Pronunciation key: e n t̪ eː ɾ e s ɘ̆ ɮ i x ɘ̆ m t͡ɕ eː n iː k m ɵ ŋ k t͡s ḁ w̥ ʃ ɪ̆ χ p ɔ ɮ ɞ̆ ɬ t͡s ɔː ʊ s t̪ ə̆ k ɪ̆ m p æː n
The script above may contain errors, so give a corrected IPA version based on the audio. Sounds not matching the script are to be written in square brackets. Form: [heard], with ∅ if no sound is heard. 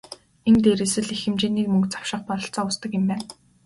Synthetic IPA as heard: e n t̪ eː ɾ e s ɘ̆ ɮ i x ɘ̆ m t͡ɕ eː n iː k m ɵ ŋ k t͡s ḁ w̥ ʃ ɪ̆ χ p ɔ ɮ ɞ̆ ɬ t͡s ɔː ʊ s t̪ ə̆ k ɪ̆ m p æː n